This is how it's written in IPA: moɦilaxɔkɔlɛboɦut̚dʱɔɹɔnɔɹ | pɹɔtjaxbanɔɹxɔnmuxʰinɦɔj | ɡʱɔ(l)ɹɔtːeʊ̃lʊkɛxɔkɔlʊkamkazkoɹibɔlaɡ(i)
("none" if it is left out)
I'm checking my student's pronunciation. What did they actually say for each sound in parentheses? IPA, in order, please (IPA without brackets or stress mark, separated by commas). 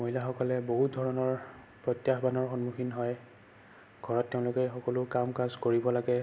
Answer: none, ɛ